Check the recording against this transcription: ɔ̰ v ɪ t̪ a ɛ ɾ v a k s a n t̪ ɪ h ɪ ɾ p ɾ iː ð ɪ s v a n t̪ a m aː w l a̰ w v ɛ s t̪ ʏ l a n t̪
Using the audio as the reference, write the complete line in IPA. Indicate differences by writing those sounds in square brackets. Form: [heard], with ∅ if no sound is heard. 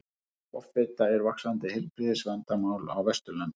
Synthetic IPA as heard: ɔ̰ [f] ɪ t̪ a ɛ ɾ v a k s a n t̪ ɪ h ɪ [l] p ɾ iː ð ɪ s v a n t̪ a m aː w l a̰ w v ɛ s t̪ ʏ l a n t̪